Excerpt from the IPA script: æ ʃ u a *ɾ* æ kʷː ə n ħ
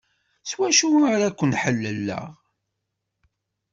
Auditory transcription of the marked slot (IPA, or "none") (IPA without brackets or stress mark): ɾ